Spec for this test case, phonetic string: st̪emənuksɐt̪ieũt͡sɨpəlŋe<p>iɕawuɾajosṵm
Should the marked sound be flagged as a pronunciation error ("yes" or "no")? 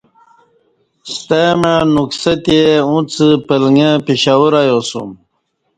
no